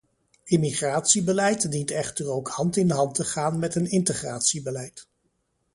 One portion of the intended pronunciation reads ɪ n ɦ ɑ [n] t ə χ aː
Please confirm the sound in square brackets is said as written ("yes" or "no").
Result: yes